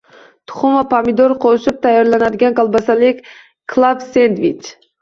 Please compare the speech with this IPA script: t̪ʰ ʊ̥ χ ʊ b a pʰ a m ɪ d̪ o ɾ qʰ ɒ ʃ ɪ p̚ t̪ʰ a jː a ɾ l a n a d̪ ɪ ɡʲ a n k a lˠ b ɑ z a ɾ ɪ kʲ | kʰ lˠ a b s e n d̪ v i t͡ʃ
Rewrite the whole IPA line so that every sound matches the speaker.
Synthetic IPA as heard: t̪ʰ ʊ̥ χ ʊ m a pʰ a m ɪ d̪ o ɾ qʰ o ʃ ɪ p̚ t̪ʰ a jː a ɾ l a n a d̪ ɪ ɡʲ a n k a lˠ b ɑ s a l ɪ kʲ | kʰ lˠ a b s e n d̪ v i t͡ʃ